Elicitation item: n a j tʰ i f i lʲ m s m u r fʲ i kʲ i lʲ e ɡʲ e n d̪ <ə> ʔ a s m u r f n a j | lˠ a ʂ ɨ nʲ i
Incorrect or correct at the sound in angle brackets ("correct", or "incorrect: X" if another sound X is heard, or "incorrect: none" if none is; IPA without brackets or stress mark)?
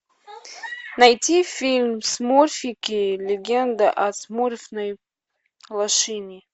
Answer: incorrect: a